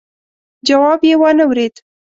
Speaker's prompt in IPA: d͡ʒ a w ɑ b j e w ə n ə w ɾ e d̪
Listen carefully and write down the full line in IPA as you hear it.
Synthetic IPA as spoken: d͡ʒ a w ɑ b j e w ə n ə w ɾ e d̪